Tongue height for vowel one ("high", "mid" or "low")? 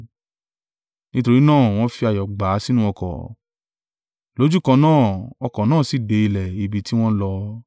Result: high